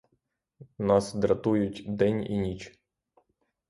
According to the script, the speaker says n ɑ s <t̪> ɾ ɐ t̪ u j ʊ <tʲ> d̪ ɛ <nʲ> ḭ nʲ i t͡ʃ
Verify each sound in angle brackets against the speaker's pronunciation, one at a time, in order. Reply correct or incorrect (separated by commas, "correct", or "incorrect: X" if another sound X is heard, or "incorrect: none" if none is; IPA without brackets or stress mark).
incorrect: d̪, correct, correct